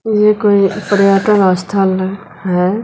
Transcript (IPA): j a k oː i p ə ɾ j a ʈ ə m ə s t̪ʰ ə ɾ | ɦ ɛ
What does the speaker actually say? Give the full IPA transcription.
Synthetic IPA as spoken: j e k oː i p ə ɾ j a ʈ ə n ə s t̪ʰ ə l | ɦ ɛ